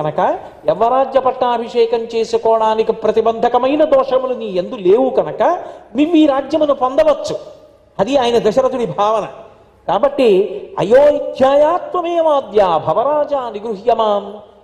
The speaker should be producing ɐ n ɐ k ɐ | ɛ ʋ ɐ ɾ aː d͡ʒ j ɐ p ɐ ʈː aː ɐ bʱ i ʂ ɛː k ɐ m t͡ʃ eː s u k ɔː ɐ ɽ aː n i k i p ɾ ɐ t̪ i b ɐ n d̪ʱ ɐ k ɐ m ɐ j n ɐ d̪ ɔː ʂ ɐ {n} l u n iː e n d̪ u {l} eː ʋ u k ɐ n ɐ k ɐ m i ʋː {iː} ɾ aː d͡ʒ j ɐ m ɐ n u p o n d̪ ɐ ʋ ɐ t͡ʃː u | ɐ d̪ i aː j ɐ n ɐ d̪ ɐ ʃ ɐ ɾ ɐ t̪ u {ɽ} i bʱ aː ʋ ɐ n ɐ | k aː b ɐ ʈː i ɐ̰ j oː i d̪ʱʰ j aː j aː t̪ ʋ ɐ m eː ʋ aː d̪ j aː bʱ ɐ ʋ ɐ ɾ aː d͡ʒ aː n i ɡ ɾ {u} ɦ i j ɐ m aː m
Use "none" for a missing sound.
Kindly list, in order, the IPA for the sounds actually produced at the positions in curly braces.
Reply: m, l, iː, ɽ, u

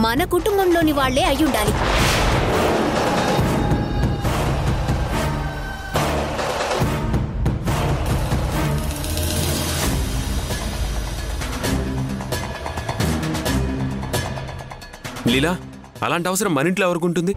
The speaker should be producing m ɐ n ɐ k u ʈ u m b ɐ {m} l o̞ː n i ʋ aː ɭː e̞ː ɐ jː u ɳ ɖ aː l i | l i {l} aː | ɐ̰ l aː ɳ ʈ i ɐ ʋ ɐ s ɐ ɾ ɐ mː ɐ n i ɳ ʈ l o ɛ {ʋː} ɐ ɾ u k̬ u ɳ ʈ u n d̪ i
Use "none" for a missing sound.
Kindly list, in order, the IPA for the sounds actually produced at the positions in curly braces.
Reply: m, l, ʋ

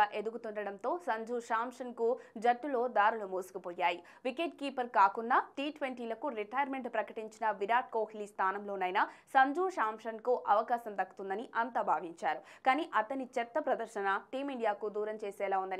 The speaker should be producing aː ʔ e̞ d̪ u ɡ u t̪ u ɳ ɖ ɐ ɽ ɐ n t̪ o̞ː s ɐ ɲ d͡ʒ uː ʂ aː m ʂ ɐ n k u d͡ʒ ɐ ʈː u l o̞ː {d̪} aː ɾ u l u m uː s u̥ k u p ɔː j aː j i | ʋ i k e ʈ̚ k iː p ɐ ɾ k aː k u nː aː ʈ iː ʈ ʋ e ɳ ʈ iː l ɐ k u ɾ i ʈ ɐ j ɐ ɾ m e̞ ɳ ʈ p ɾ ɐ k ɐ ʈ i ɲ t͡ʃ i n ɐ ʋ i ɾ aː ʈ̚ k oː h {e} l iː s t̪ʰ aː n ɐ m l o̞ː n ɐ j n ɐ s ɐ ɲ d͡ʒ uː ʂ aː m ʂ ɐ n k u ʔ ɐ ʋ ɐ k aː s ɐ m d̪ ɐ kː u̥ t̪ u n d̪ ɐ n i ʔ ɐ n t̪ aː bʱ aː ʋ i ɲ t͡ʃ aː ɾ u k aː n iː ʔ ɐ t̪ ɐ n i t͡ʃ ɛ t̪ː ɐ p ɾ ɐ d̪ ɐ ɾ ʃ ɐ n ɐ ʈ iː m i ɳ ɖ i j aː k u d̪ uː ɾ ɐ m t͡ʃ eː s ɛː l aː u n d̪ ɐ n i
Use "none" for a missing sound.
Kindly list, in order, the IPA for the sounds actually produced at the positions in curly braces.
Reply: d̪, i

